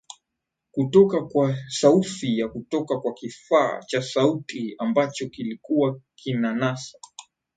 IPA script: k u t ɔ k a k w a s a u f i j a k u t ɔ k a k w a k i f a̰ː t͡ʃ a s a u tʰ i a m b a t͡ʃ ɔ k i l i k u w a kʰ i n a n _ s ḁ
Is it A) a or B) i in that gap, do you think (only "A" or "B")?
A